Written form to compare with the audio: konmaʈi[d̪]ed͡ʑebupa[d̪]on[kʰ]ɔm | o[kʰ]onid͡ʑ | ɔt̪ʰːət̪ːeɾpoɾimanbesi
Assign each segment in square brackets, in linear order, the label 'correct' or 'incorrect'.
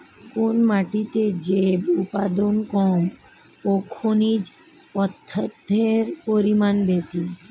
incorrect: t̪, correct, incorrect: k, correct

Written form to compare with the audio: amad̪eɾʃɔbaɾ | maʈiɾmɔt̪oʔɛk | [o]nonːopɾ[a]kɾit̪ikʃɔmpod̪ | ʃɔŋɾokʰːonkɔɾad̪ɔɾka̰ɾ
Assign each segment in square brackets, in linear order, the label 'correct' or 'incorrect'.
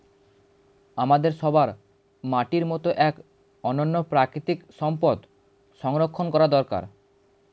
incorrect: ɔ, correct

